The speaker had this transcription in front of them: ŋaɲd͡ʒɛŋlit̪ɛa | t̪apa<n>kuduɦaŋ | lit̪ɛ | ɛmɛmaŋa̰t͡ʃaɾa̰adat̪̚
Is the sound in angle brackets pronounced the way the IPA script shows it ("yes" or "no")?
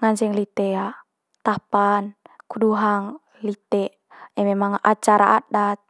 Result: yes